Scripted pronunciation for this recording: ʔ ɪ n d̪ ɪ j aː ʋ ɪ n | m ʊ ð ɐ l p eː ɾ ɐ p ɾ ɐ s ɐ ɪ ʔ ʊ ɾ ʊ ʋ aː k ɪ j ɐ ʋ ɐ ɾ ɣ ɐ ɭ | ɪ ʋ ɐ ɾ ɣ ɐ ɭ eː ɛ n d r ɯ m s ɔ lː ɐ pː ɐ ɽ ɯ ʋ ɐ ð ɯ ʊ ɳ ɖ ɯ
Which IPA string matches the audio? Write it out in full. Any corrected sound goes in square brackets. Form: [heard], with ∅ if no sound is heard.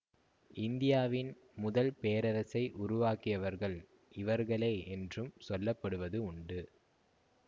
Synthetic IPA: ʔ ɪ n d̪ ɪ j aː ʋ ɪ n | m ʊ ð ɐ l p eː ɾ ɐ [∅] ɾ ɐ s ɐ ɪ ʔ ʊ ɾ ʊ ʋ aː k ɪ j ɐ ʋ ɐ ɾ ɣ ɐ ɭ | ɪ ʋ ɐ ɾ ɣ ɐ ɭ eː ɛ n d r ɯ m s ɔ lː ɐ pː ɐ ɽ ɯ ʋ ɐ ð ɯ ʊ ɳ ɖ ɯ